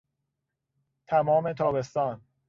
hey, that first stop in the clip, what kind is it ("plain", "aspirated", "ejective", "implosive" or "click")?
aspirated